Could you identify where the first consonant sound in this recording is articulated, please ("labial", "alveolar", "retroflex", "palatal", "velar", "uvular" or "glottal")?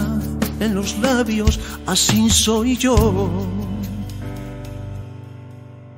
alveolar